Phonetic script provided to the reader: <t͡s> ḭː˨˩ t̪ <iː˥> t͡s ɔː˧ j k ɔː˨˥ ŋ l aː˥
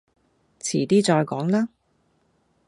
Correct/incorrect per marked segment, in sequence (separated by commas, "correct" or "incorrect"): incorrect, correct